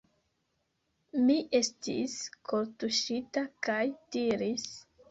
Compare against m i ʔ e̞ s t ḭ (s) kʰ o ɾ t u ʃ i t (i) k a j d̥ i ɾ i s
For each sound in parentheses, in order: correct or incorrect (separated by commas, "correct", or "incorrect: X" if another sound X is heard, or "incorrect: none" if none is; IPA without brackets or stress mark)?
correct, incorrect: a